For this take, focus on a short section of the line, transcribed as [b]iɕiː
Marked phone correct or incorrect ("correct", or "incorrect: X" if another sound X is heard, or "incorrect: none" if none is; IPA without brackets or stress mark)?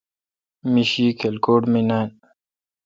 incorrect: m